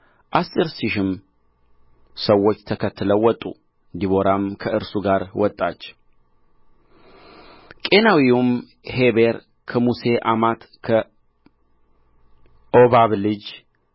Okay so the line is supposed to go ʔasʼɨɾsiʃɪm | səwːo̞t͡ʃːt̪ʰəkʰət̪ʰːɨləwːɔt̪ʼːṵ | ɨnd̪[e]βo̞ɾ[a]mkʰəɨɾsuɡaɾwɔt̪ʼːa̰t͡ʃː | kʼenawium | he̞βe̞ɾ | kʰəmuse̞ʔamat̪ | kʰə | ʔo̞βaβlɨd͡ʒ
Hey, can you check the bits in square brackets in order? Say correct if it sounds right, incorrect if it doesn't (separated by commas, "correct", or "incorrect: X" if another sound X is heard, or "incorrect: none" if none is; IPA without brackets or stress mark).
incorrect: i, correct